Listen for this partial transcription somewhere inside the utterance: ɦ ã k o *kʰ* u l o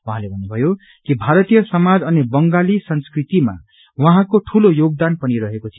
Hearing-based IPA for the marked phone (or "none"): ʈʰ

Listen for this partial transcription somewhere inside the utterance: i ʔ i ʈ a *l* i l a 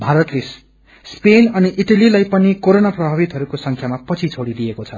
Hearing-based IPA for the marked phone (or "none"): l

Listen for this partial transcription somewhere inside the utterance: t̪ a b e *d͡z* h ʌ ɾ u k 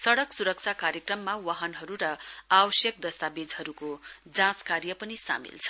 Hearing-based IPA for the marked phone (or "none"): d͡z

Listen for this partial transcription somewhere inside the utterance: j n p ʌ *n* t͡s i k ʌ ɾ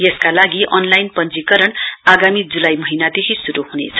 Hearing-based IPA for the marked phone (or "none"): n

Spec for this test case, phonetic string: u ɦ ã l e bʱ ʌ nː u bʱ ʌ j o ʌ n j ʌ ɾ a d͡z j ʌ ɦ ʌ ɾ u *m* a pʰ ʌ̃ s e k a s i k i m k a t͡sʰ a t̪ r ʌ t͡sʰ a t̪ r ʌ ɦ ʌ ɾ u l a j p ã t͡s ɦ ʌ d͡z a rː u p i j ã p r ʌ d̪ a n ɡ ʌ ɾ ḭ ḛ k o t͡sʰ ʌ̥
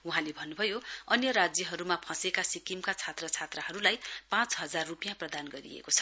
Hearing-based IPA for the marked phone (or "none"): m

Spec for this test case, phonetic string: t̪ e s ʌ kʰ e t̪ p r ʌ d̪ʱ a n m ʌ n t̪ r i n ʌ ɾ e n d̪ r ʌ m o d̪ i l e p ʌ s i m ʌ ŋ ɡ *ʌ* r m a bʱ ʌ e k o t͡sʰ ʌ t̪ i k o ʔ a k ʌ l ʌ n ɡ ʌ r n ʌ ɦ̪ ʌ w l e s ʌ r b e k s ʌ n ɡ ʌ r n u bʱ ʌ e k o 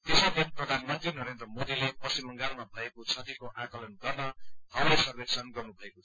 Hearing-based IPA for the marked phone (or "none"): a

